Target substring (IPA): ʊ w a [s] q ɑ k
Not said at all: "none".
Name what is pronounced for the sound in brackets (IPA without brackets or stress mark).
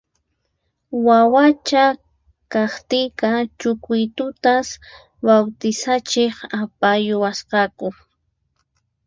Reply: s